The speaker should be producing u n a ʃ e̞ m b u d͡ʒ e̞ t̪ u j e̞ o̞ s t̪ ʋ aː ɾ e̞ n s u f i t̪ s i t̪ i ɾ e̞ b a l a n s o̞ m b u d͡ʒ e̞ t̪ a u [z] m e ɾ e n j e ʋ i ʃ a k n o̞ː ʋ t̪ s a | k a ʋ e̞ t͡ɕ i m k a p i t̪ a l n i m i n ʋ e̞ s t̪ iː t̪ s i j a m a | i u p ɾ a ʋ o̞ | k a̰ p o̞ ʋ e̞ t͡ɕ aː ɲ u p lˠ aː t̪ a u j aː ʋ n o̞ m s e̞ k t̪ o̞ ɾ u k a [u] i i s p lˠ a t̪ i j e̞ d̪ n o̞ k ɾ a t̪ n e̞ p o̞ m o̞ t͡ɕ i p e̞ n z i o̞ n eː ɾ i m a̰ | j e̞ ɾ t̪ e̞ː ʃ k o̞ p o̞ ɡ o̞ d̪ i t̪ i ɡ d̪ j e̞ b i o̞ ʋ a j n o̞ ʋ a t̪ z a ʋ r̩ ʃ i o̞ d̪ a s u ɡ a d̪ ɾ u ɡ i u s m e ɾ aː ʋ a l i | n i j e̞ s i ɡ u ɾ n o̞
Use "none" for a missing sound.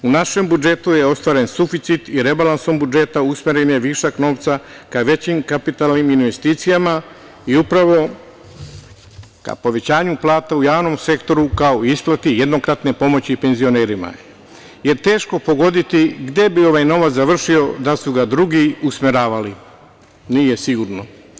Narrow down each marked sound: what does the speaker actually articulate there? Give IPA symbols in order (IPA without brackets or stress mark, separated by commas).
s, o